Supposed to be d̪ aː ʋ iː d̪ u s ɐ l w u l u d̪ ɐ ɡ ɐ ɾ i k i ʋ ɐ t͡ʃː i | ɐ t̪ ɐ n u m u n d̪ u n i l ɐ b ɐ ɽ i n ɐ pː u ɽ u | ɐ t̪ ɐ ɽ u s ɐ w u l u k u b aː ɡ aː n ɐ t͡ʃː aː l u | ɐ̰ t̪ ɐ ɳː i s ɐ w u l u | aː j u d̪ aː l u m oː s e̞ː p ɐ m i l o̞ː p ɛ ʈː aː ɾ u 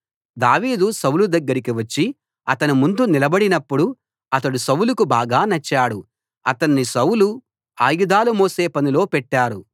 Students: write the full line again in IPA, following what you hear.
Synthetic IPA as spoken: d̪ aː ʋ iː d̪ u s ɐ w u l u d̪ ɐ ɡː ɐ ɾ i k i ʋ ɐ t͡ʃː i | ɐ t̪ ɐ n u m u n d̪ u n i l ɐ b ɐ ɽ i n ɐ pː u ɽ u | ɐ t̪ ɐ ɽ u s ɐ w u l u k u b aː ɡ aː n ɐ t͡ʃː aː ɽ u | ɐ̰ t̪ ɐ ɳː i s ɐ w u l u | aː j u d̪ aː l u m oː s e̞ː p ɐ n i l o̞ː p ɛ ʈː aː ɾ u